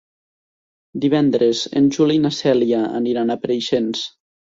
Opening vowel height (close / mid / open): close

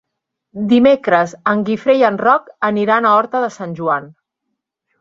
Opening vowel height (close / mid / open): close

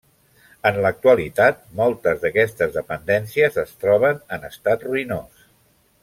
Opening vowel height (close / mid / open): mid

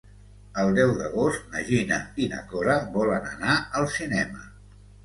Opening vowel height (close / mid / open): mid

